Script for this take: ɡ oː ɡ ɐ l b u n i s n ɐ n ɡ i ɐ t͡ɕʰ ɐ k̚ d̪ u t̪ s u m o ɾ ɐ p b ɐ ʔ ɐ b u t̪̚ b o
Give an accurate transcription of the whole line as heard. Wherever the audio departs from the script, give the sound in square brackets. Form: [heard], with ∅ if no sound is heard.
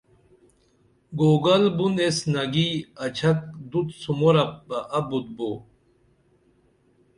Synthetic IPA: ɡ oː ɡ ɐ l b u n [e] s n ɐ [∅] ɡ i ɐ t͡ɕʰ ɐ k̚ d̪ u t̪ s u m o ɾ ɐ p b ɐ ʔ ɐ b u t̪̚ b o